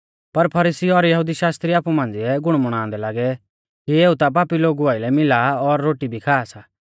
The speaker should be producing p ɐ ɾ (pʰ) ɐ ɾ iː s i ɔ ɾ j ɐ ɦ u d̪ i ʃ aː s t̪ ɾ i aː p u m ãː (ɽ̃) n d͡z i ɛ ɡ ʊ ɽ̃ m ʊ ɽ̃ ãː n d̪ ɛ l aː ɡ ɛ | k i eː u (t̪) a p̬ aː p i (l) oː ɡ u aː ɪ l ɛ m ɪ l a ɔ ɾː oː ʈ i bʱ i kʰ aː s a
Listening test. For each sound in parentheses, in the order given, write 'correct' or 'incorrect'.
correct, incorrect, correct, correct

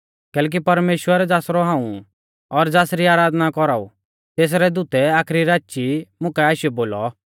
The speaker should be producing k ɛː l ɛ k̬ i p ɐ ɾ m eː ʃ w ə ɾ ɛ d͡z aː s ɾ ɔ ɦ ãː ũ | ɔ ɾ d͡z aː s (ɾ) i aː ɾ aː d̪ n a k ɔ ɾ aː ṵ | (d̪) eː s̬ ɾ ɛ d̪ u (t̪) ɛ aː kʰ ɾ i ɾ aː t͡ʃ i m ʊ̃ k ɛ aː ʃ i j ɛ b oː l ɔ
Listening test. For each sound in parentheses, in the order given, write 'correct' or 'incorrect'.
correct, incorrect, correct

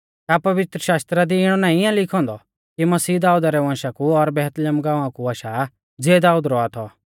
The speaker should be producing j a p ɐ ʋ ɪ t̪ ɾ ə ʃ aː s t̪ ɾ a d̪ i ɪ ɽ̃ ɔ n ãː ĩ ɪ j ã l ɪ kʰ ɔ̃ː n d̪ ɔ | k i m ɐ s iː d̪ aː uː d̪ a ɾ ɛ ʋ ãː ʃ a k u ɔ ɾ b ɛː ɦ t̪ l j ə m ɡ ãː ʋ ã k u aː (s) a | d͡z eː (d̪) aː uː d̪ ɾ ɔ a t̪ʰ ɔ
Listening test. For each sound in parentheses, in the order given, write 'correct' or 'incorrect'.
incorrect, correct

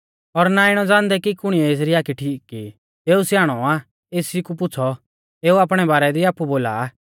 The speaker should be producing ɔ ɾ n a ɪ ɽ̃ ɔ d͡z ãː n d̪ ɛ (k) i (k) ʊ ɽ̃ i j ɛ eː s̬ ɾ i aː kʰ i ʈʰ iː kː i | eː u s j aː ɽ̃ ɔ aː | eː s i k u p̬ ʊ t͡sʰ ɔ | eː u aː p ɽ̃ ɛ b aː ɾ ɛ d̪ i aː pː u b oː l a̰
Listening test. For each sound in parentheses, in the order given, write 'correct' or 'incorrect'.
correct, correct

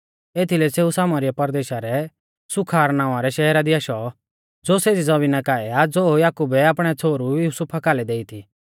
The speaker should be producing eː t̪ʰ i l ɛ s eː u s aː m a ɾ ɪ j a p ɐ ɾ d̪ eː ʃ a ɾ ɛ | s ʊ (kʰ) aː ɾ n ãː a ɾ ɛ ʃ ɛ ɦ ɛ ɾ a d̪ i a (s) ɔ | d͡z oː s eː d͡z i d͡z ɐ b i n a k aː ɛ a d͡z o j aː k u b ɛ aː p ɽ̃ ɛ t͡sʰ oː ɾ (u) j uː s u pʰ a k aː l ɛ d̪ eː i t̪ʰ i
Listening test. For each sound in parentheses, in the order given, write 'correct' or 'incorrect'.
correct, incorrect, correct

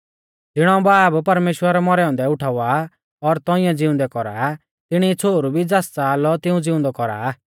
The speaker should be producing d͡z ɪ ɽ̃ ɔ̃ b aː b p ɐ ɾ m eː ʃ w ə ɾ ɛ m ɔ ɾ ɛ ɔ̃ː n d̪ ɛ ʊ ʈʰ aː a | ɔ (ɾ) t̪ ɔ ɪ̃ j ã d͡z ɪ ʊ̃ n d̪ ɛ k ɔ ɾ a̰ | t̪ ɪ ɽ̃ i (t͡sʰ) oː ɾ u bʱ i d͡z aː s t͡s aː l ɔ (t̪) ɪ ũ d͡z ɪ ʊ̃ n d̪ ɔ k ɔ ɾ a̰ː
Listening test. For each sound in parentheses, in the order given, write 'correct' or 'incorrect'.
correct, correct, correct

